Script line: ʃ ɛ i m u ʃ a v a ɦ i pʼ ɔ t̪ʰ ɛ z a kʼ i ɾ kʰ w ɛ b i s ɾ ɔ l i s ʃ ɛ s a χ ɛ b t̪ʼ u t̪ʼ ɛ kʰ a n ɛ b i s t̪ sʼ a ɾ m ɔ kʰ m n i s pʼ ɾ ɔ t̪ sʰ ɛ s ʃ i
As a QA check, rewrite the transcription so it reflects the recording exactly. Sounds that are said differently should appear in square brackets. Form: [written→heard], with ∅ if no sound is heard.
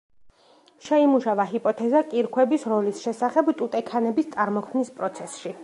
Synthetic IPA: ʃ ɛ i m u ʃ a v a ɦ i pʼ ɔ t̪ʰ ɛ z a kʼ i ɾ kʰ w ɛ b i s ɾ ɔ l i s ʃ ɛ s a χ ɛ b t̪ʼ u t̪ʼ ɛ kʰ a n ɛ b i s t̪ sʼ a ɾ m ɔ kʰ m n i s pʼ ɾ ɔ t̪ sʰ ɛ s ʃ i